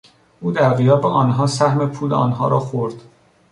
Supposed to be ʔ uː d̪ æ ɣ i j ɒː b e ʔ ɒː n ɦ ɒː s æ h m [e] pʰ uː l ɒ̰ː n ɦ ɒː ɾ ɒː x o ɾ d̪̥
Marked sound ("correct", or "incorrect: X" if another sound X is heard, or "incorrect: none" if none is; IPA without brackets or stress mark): correct